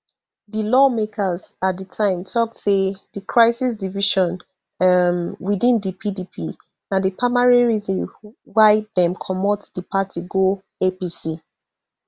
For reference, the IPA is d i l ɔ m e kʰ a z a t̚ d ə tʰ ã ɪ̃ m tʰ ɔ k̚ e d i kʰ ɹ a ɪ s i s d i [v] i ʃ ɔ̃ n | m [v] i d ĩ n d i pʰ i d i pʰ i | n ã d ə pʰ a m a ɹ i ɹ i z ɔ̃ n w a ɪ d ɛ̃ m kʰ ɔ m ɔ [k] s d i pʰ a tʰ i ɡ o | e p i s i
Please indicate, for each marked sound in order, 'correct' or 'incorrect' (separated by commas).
correct, incorrect, incorrect